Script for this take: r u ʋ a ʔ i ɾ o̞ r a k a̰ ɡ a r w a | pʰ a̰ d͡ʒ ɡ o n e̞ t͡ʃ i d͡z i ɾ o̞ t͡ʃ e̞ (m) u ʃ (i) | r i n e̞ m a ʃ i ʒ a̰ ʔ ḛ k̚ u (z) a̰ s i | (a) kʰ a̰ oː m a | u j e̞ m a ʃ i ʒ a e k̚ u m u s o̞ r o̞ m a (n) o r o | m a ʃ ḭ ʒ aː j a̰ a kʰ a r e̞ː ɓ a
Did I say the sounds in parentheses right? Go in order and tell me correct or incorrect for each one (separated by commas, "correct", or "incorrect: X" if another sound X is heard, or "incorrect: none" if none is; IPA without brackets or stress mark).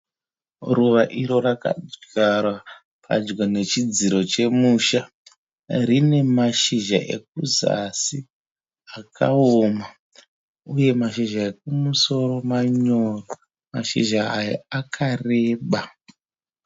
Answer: correct, incorrect: a, correct, correct, incorrect: ɲ